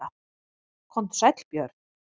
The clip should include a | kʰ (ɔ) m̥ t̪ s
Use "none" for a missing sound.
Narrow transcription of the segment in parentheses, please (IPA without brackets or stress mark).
ɔ